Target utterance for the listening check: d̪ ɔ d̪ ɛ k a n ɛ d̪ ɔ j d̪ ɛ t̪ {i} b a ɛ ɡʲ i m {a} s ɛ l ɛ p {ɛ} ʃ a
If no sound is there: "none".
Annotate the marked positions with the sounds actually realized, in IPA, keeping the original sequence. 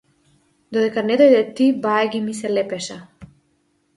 i, i, ɛ

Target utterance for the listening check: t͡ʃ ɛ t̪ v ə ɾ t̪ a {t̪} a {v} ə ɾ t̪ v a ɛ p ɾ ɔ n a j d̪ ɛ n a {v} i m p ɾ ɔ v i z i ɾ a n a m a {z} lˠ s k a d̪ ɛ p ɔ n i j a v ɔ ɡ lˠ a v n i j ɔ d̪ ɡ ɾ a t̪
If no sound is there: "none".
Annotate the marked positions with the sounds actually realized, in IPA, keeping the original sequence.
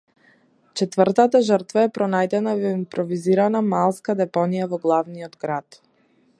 t̪, ʒ, v, none

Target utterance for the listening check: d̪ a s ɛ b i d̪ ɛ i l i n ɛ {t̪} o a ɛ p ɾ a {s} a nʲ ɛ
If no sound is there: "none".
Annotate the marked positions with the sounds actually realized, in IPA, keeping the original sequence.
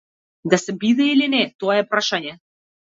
t̪, ʃ

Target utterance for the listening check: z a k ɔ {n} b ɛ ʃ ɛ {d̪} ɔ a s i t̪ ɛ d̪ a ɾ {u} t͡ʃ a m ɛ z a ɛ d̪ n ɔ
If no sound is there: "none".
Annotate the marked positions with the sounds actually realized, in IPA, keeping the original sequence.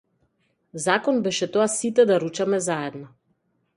n, t̪, u

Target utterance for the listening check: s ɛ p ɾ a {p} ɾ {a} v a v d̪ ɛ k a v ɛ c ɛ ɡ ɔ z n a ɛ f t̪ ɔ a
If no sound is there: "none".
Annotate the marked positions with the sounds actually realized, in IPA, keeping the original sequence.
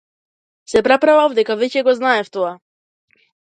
p, a

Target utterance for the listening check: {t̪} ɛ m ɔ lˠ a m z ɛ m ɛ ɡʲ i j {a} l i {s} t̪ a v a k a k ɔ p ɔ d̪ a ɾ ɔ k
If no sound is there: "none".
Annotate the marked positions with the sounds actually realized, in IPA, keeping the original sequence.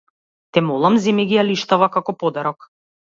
t̪, a, ʃ

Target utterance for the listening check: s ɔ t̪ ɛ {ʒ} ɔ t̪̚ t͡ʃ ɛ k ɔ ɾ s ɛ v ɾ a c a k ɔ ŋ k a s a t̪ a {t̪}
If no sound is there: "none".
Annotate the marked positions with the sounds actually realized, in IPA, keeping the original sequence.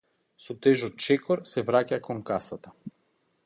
ʒ, none

